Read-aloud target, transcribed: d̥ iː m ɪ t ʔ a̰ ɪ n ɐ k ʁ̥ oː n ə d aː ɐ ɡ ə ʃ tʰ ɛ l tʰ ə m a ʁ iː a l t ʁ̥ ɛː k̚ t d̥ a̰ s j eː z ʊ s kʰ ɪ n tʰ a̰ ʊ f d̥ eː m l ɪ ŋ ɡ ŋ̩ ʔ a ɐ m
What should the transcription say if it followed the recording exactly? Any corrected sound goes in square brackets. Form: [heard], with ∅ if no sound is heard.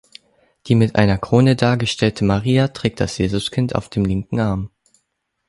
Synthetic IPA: d̥ iː m ɪ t ʔ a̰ ɪ n ɐ k ʁ̥ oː n ə d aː ɐ ɡ ə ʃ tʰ ɛ l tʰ ə m a ʁ iː a [∅] t ʁ̥ ɛː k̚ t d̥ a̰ s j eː z ʊ s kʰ ɪ n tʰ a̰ ʊ f d̥ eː m l ɪ ŋ [k] ŋ̩ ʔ a ɐ m